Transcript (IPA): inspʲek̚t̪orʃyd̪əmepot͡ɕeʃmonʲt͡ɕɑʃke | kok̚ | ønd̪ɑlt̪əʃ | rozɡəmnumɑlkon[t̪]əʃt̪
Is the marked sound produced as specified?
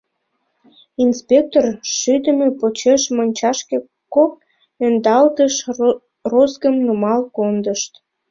no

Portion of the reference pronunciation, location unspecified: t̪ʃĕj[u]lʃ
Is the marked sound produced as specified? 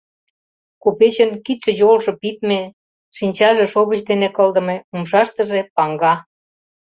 no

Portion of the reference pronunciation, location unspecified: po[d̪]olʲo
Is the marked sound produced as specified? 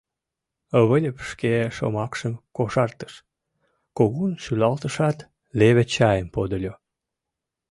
yes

